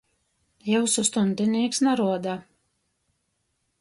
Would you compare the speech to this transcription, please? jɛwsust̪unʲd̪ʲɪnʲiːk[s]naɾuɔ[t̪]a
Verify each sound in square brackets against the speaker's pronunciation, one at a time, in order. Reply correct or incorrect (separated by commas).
correct, incorrect